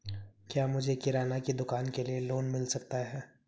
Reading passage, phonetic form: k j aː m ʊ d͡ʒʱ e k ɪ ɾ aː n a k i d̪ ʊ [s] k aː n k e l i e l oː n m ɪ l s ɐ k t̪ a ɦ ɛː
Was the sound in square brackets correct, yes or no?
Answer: no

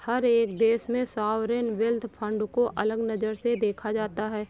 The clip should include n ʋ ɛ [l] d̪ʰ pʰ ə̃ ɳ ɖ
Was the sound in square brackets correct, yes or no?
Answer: yes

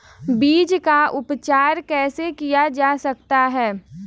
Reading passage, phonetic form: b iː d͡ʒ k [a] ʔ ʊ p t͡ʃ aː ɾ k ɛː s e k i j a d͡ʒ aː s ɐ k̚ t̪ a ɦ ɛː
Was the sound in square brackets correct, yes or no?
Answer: yes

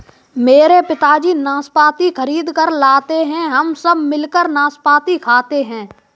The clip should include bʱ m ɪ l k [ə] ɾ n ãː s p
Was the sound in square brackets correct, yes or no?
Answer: yes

